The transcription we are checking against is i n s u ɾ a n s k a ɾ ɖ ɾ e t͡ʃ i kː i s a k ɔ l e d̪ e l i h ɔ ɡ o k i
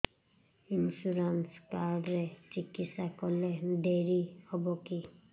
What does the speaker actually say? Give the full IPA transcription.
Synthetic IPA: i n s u ɾ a n s k a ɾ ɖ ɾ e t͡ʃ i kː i s a k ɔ l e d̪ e ɾ i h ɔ b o k i